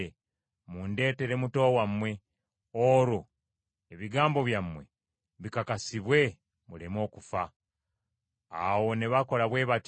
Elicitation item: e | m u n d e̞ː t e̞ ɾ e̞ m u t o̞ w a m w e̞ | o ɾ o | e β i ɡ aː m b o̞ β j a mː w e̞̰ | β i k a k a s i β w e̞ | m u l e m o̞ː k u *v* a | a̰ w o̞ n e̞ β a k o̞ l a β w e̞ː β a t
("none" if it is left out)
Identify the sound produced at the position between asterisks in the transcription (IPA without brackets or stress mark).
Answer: f